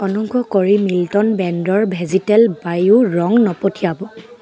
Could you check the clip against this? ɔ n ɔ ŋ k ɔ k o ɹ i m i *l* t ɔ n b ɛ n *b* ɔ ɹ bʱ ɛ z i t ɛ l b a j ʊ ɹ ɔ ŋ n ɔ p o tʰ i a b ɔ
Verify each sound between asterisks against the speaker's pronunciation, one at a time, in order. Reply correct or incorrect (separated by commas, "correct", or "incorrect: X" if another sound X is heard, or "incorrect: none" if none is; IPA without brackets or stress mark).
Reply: correct, incorrect: d